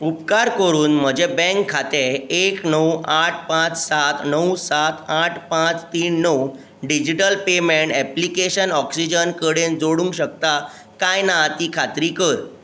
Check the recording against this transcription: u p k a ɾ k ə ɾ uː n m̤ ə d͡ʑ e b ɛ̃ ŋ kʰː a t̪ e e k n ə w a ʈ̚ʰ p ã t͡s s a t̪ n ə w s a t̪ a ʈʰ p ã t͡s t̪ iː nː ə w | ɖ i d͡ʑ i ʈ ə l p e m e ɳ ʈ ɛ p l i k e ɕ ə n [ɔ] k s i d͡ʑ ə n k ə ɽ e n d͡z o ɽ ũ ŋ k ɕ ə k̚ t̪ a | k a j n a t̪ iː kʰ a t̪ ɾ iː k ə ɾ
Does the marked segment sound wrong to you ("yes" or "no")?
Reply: no